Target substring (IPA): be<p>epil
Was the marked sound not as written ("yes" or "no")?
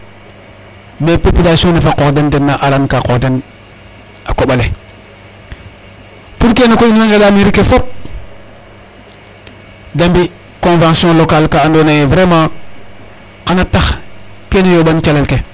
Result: no